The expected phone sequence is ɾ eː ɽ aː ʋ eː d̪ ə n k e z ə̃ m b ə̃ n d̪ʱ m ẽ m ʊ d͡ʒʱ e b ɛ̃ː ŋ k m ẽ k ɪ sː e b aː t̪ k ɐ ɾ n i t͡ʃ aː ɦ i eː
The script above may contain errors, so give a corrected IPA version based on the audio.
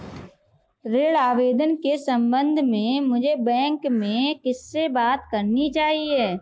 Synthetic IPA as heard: ɾ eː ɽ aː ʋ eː d̪ ə n k e s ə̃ m b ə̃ n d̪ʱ m ẽ m ʊ d͡ʒʱ e b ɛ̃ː ŋ k m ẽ k ɪ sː e b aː t̪ k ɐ ɾ n i t͡ʃ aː ɦ i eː